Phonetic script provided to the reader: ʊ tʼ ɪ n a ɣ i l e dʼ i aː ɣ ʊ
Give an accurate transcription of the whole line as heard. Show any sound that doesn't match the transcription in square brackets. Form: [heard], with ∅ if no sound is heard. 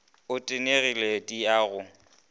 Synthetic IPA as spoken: ʊ tʼ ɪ n [e] ɣ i l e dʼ i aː ɣ ʊ